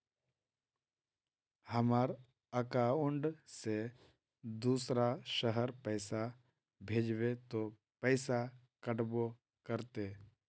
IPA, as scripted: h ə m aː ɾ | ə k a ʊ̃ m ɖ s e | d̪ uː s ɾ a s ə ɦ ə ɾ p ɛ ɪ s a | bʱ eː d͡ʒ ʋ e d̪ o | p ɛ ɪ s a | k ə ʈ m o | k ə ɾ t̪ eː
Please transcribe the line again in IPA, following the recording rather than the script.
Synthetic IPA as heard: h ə m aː ɾ | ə k a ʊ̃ ɳ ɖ s e | d̪ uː s ɾ a ʃ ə ɦ ə ɾ p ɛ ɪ s a | bʱ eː d͡ʒ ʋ e t̪ o | p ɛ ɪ s a | k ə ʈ b o | k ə ɾ t̪ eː